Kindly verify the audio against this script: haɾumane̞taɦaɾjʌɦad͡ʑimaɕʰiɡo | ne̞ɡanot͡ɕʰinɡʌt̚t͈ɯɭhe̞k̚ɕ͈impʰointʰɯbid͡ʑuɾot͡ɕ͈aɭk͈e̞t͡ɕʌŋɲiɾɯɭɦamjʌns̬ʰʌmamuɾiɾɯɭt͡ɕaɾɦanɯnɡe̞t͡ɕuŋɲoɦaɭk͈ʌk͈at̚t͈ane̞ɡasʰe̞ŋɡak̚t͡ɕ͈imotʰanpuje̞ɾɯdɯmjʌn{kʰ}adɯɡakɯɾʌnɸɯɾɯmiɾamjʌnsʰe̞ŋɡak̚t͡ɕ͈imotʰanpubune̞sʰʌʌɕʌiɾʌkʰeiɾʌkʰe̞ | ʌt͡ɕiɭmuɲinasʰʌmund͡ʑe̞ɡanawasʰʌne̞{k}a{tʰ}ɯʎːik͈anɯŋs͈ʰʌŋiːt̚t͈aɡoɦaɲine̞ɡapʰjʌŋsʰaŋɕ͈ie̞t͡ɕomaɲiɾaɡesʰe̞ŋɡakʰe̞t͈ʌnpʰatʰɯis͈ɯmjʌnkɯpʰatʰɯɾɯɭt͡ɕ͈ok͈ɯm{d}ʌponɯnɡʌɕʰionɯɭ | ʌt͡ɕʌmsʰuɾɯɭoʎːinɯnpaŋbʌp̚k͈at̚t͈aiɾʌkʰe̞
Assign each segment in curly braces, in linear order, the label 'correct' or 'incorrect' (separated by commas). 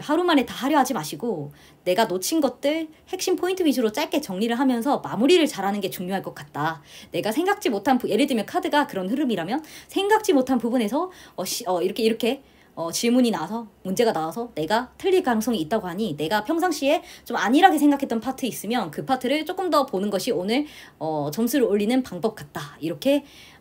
correct, incorrect, correct, correct